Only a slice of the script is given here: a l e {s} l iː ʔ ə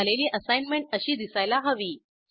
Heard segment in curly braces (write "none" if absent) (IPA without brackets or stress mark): none